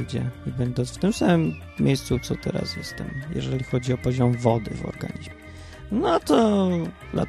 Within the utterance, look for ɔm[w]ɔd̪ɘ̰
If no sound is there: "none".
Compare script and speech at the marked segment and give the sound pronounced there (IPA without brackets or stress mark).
v